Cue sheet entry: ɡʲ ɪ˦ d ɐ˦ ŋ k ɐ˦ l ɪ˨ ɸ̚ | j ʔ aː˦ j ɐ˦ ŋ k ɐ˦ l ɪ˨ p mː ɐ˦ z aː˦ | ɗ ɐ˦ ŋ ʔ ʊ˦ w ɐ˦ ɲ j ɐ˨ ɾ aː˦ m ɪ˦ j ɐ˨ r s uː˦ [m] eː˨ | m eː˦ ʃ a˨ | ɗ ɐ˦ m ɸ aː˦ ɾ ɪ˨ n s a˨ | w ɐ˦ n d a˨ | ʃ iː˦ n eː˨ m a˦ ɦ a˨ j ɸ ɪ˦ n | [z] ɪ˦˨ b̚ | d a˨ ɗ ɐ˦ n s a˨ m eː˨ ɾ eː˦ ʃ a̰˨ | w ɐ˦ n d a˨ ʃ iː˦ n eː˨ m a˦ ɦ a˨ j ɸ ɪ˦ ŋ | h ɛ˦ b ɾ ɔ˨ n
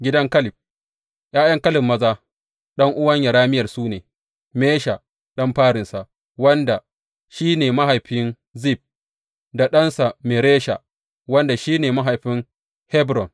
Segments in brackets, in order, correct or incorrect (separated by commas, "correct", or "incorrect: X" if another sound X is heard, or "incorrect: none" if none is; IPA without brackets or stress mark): incorrect: n, correct